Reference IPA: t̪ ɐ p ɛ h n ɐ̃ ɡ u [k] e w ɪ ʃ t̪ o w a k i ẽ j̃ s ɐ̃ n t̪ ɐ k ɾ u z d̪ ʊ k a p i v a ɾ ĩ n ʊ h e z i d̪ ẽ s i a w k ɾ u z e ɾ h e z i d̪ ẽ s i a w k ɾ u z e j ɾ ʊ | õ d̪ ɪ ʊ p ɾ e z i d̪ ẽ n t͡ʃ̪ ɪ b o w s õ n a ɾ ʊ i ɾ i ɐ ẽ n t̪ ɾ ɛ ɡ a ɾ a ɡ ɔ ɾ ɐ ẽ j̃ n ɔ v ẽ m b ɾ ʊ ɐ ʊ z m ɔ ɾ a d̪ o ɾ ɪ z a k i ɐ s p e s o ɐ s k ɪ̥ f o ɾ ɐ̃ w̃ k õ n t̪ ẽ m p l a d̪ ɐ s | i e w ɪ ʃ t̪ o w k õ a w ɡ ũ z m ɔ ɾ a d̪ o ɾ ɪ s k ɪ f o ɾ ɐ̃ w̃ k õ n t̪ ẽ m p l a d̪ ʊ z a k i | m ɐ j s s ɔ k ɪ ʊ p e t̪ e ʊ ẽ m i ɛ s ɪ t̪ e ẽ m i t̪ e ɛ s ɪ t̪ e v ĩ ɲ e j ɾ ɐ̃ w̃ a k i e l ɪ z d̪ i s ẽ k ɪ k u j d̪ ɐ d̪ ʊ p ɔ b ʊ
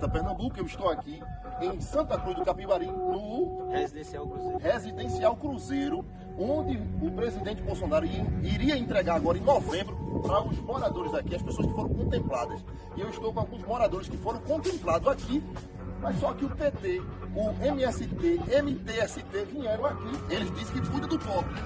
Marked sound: correct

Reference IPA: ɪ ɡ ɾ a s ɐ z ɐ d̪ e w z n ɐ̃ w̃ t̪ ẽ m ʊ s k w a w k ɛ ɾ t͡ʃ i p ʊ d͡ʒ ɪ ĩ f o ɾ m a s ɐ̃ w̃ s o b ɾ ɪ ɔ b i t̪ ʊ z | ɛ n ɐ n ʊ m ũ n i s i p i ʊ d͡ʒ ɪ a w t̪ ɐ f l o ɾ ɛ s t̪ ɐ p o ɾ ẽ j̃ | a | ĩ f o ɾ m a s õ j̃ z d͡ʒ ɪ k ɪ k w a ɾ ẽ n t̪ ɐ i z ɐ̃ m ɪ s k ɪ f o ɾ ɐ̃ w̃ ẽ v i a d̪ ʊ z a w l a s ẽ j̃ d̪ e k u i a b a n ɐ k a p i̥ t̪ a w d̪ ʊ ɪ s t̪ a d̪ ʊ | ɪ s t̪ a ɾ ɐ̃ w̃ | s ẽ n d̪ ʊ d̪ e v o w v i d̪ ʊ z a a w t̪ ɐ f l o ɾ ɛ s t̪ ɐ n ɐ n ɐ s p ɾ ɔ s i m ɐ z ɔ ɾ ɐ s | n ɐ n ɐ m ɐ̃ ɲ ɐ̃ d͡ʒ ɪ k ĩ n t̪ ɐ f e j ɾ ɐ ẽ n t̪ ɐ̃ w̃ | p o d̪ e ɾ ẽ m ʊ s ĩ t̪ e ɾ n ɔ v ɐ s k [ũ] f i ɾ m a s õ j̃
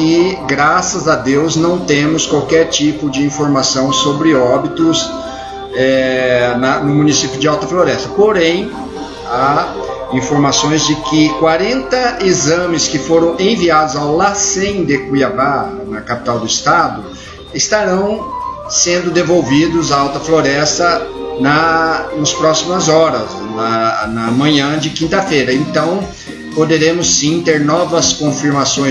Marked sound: incorrect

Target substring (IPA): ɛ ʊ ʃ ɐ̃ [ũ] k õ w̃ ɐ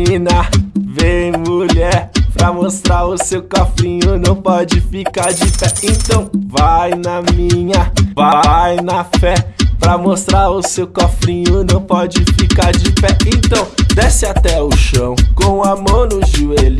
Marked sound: incorrect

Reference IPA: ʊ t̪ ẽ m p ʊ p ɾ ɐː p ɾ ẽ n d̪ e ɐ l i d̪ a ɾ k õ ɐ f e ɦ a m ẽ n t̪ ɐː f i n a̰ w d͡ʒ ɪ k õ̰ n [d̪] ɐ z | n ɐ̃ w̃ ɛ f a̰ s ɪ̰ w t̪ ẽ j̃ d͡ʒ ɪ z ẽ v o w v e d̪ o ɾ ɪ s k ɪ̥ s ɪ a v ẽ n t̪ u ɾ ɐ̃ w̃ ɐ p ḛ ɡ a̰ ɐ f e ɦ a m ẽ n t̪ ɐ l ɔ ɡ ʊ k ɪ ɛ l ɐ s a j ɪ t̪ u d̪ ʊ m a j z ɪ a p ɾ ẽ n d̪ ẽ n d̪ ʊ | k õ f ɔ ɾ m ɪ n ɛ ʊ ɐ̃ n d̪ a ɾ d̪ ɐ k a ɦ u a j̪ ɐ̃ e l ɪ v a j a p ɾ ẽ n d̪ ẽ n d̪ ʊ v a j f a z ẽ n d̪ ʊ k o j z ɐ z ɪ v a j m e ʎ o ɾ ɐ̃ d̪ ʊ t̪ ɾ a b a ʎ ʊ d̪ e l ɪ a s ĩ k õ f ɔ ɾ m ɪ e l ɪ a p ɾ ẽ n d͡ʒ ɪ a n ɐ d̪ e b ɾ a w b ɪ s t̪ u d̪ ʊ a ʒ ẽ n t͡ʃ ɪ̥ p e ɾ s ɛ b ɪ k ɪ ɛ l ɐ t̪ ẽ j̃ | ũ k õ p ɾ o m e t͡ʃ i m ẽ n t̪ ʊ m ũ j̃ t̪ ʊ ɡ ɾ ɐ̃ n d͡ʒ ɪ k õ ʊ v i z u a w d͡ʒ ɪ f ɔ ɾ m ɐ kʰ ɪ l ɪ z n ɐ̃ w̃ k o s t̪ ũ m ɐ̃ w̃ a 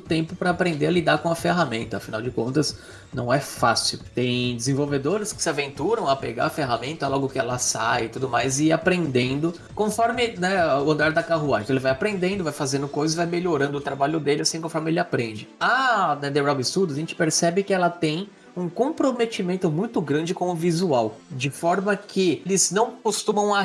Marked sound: incorrect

